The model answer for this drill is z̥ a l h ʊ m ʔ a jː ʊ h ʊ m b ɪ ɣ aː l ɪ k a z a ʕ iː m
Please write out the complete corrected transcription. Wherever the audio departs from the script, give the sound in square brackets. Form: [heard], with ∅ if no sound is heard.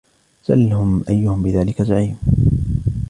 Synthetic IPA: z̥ a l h ʊ m ʔ a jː ʊ h ʊ m b ɪ [ð] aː l ɪ k a z a ʕ iː m